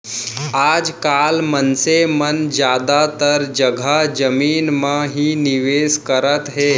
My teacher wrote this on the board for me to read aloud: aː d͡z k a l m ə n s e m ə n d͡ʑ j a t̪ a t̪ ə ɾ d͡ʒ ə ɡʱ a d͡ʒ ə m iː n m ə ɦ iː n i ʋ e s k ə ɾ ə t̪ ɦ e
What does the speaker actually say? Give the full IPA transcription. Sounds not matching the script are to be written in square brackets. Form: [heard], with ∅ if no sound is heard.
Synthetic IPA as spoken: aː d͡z k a l m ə n s e m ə n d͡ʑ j a [d̪] a t̪ ə ɾ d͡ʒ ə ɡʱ a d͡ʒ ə m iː n m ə ɦ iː n i ʋ e s k ə ɾ ə t̪ ɦ e

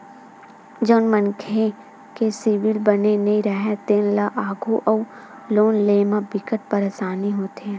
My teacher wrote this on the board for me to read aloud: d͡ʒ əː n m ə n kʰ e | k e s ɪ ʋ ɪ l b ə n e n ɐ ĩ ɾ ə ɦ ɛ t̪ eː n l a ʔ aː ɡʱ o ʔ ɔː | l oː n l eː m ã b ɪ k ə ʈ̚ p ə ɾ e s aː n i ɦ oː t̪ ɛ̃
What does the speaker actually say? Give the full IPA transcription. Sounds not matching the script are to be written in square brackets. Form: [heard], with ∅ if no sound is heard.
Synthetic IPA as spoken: d͡ʒ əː n m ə n kʰ e | k e s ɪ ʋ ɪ l b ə n e n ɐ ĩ ɾ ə ɦ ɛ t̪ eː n l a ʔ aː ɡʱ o ʔ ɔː | l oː n l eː m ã b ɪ k ə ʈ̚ p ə ɾ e s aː n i ɦ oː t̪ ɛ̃

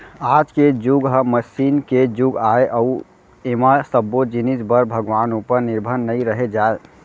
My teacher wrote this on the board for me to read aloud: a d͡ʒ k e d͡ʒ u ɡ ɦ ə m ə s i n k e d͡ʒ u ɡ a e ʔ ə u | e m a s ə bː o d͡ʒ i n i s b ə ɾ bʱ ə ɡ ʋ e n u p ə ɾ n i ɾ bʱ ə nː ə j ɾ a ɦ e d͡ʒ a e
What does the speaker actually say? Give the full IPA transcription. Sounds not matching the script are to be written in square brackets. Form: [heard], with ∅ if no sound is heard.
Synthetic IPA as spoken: a d͡ʒ k e d͡ʒ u ɡ ɦ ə m ə s i n k e d͡ʒ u ɡ a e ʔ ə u | e m a s ə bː o d͡ʒ i n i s b ə ɾ bʱ ə ɡ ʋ [a] n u p ə ɾ n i ɾ bʱ ə nː ə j ɾ [ə] ɦ e d͡ʒ a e

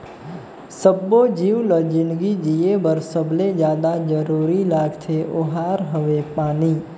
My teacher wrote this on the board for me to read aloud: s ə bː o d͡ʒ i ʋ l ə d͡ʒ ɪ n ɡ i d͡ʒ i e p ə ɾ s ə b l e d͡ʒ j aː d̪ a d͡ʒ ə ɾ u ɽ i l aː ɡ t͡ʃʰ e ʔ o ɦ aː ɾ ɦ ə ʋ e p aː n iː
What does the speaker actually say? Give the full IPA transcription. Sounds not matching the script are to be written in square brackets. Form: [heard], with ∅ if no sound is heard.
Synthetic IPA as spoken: s ə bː o d͡ʒ i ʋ l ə d͡ʒ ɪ n ɡ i d͡ʒ i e [b] ə ɾ s ə b l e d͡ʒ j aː d̪ a d͡ʒ ə ɾ u [ɾ] i l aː ɡ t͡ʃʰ e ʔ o ɦ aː ɾ ɦ ə ʋ e p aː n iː

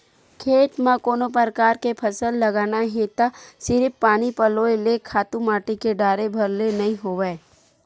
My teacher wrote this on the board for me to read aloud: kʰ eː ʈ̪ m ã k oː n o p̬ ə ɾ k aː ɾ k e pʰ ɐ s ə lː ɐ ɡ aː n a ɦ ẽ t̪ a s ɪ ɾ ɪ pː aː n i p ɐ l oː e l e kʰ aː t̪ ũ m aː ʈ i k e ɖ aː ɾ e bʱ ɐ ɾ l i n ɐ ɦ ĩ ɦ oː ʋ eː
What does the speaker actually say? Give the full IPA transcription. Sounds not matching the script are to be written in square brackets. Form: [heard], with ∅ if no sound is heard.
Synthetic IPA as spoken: kʰ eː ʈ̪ m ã k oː n o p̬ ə ɾ k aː ɾ k e pʰ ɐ s ə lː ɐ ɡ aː n a ɦ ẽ t̪ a s ɪ ɾ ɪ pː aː n i p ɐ l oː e l e kʰ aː t̪ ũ m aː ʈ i k e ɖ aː ɾ e bʱ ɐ ɾ l [e] n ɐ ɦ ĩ ɦ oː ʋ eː

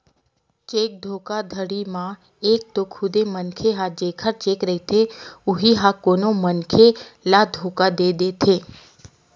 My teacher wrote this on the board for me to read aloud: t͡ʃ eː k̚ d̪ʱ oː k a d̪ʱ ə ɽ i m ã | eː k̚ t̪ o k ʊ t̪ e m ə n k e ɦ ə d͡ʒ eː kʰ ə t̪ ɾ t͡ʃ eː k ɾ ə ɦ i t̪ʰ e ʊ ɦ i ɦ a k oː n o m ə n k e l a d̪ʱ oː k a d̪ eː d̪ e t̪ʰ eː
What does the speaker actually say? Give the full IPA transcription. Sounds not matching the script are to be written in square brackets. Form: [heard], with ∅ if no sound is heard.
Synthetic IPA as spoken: t͡ʃ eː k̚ d̪ʱ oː k a d̪ʱ ə ɽ i m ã | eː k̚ t̪ o [kʰ] ʊ [d̪] e m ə n [kʰ] e ɦ [a] d͡ʒ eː kʰ ə [∅] ɾ t͡ʃ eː k ɾ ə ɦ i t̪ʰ e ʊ ɦ i ɦ a k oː n o m ə n [kʰ] e l a d̪ʱ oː k a d̪ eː d̪ e t̪ʰ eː

